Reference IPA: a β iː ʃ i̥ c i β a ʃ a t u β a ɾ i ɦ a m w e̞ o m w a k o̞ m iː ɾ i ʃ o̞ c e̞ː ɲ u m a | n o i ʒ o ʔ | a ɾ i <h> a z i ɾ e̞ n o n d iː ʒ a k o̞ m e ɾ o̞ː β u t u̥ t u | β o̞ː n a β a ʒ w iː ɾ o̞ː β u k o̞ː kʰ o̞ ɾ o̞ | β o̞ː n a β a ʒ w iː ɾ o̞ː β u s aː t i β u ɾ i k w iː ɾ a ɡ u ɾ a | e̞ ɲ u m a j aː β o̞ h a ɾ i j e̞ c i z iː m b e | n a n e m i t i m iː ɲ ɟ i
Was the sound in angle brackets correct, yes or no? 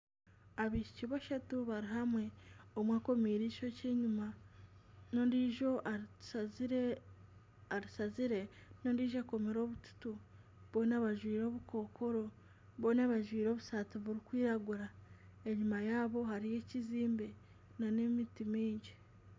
no